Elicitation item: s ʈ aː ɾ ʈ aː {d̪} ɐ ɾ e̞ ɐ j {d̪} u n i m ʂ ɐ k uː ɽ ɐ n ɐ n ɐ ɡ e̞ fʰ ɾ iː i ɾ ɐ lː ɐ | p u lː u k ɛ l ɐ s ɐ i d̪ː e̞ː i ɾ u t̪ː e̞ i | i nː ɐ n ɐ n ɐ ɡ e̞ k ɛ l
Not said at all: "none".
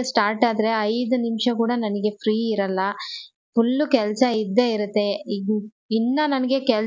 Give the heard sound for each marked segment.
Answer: d̪, d̪

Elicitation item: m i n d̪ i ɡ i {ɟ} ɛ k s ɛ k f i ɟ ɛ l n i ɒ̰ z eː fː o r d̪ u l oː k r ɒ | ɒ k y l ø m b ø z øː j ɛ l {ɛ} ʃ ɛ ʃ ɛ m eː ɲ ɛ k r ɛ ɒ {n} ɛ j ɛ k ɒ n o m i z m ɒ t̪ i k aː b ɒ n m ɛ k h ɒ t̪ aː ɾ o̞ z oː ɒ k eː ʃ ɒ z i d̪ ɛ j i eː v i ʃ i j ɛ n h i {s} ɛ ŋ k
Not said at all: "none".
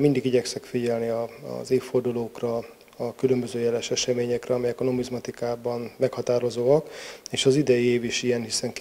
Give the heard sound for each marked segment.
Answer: ɟ, ɛ, m, s

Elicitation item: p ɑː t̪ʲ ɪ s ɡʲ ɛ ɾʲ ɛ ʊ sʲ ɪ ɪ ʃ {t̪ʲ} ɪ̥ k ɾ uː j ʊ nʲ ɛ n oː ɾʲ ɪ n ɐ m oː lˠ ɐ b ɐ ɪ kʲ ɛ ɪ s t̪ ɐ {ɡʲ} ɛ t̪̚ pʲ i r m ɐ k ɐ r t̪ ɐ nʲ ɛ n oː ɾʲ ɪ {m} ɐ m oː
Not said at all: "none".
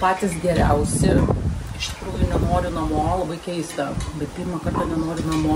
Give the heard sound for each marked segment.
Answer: t̪ʲ, bʲ, n

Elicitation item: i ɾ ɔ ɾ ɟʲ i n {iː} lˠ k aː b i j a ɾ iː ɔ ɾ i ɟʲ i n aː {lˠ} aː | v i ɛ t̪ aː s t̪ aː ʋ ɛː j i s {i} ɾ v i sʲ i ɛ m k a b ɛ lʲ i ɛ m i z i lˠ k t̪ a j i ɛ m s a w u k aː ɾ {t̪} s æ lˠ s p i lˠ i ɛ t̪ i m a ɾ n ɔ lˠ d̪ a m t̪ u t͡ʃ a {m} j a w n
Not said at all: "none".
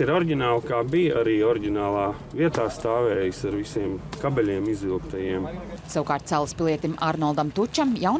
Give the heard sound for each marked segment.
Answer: aː, lˠ, a, t̪, m

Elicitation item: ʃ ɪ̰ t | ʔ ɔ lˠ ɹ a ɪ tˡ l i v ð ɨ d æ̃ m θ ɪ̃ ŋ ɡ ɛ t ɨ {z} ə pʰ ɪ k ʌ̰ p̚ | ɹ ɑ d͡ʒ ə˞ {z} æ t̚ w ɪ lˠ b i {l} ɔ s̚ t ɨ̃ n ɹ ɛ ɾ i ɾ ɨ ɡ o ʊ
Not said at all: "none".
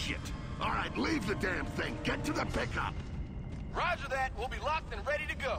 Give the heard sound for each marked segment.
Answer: ð, ð, l

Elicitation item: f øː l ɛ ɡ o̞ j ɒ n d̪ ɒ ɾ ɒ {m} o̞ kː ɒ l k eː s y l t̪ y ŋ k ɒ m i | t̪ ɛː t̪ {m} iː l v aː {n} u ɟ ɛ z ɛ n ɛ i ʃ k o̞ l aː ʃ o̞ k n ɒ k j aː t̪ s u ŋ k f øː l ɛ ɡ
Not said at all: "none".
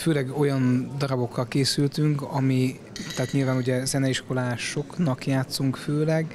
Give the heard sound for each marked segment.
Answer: b, ɲ, n

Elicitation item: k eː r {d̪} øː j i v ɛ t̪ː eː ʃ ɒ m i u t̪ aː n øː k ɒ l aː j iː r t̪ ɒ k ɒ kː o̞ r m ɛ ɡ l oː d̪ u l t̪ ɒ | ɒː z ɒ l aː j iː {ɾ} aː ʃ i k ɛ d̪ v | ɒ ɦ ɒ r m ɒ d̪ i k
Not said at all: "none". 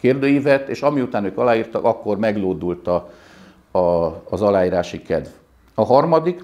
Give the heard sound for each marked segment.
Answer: d̪, ɾ

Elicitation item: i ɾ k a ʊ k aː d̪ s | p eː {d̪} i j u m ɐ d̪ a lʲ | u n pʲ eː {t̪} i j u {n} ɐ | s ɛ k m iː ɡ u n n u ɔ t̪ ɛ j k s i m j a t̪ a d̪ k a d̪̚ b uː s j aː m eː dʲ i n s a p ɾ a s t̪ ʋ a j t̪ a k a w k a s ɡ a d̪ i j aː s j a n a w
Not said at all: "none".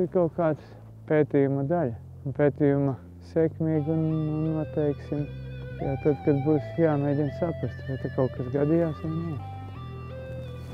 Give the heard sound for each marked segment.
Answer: t̪, t̪, m

